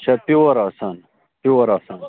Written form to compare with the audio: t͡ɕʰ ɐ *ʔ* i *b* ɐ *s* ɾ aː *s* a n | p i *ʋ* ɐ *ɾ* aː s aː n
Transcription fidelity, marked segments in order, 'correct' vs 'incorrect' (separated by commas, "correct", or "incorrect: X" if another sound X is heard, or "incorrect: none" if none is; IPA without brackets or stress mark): incorrect: p, incorrect: w, incorrect: none, correct, incorrect: w, correct